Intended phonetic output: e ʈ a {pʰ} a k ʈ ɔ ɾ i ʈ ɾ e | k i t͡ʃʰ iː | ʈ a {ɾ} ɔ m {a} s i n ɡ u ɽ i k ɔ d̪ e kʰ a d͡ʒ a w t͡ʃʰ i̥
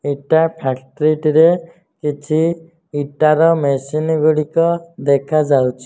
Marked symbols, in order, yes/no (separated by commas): yes, yes, no